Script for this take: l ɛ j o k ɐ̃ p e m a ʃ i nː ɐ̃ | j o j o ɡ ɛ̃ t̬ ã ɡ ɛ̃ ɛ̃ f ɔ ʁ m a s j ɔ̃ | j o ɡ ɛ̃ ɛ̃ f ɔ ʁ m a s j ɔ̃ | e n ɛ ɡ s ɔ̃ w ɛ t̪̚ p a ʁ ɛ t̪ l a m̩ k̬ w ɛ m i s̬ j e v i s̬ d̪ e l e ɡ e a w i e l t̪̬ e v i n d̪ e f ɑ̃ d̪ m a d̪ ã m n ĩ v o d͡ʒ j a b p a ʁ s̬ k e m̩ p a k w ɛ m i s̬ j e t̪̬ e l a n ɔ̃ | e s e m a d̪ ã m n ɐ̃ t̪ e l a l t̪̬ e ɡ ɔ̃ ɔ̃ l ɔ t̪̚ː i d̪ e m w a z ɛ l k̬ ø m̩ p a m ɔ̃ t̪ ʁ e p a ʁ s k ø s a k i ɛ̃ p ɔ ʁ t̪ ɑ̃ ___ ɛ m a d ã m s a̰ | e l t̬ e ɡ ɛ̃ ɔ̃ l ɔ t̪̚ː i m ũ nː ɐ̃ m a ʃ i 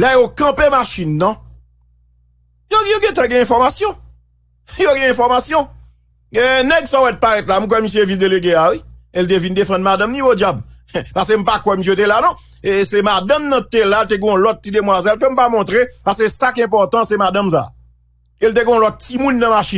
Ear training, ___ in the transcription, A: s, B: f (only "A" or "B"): A